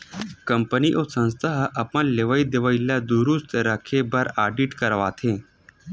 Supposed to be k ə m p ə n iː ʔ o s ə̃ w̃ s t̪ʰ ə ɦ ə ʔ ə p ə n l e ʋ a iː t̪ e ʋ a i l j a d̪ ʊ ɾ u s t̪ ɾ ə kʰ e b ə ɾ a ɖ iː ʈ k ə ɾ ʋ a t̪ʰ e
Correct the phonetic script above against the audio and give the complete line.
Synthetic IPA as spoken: k ə m p ə n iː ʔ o s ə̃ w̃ s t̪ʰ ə ɦ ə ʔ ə p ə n l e ʋ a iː d̪ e ʋ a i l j a d̪ u ɾ u s t̪ ɾ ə kʰ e b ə ɾ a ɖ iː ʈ k ə ɾ ʋ a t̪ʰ e